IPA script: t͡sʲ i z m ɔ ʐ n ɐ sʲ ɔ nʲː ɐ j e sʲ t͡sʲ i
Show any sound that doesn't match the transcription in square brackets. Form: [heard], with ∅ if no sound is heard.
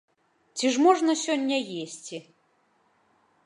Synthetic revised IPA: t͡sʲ i [ʐ] m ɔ ʐ n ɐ sʲ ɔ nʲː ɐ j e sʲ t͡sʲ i